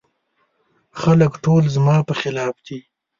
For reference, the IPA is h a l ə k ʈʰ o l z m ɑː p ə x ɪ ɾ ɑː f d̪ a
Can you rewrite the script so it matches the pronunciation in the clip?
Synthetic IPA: x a l ə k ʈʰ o l z m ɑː p ə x ɪ l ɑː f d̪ i